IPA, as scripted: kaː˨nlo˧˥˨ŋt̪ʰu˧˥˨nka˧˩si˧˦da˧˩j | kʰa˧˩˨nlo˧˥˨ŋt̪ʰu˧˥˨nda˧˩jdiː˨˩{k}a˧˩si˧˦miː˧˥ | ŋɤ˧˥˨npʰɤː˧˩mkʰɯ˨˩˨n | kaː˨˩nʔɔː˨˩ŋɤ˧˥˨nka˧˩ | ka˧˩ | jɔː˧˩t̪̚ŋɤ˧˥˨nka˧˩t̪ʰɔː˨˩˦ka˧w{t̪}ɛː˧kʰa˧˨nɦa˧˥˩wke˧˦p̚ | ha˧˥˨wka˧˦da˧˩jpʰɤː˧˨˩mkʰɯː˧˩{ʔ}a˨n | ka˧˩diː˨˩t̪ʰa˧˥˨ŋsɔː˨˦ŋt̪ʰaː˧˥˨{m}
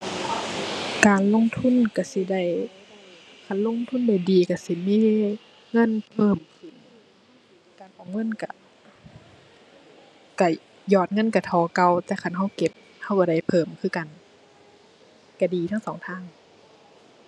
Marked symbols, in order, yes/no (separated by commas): yes, yes, no, no